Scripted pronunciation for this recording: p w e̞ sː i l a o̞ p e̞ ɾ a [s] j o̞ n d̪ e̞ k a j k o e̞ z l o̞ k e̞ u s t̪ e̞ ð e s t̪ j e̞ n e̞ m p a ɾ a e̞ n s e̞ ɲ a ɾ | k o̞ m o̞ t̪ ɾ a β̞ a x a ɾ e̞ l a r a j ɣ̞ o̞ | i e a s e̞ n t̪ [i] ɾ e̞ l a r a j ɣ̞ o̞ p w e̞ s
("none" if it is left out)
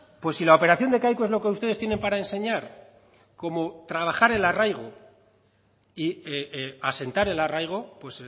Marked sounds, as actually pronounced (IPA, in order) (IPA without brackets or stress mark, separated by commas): θ, a